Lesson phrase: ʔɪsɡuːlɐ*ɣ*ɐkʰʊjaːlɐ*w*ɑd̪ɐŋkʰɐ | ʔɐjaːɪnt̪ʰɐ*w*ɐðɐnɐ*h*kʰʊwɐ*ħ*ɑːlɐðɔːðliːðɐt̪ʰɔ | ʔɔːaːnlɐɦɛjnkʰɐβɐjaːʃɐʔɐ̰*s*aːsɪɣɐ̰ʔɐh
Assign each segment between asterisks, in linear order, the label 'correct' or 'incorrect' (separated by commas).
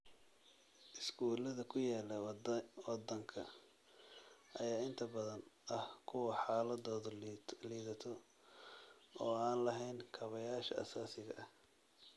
incorrect, correct, incorrect, correct, correct, correct